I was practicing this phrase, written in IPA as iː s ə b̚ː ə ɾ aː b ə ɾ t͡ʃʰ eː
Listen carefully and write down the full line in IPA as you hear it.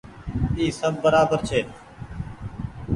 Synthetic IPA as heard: iː s ə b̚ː ə ɾ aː b ə ɾ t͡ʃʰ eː